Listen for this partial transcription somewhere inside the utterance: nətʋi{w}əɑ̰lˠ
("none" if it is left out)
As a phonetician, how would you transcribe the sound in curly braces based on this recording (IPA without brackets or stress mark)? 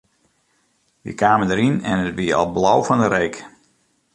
none